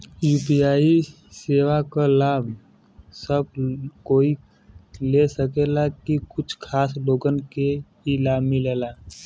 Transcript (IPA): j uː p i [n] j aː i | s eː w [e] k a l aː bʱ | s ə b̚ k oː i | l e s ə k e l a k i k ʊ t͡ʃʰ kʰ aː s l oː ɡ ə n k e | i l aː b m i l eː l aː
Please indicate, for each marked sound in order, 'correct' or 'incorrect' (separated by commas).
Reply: incorrect, incorrect